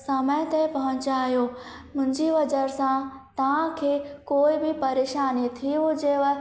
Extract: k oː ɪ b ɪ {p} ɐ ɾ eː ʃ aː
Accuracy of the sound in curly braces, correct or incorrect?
correct